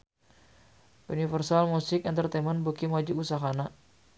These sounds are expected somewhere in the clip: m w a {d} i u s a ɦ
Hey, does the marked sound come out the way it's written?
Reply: no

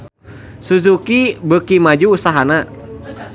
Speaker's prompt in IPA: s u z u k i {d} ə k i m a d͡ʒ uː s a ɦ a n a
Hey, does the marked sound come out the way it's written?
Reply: no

